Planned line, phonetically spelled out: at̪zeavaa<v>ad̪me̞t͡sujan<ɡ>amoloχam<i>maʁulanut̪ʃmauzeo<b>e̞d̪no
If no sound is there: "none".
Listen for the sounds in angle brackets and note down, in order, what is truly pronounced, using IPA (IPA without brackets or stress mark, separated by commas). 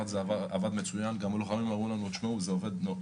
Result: v, ɡ, i, v